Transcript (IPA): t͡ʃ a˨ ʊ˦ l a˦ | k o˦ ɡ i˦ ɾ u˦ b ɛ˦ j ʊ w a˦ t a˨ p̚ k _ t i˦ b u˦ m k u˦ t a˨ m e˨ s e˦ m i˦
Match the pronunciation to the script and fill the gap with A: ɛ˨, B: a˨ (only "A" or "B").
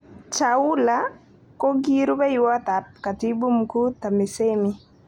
B